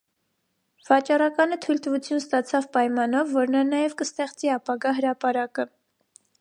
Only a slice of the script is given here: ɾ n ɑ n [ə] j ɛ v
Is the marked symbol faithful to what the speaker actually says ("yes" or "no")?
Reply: no